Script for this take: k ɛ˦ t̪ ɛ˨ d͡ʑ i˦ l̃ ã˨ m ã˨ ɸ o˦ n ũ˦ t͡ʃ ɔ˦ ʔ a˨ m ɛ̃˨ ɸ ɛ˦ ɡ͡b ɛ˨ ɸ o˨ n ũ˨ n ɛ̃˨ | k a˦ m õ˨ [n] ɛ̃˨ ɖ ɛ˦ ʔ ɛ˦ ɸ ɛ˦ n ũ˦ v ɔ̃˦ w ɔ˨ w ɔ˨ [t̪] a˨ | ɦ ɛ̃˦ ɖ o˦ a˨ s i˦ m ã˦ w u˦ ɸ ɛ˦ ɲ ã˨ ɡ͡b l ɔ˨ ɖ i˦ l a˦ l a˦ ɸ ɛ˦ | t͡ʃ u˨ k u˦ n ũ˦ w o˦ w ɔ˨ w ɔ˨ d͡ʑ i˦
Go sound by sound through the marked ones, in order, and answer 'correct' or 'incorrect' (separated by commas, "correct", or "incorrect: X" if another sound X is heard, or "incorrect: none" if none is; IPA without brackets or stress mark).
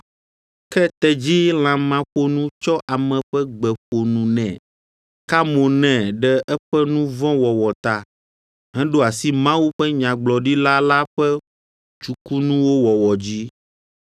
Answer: correct, correct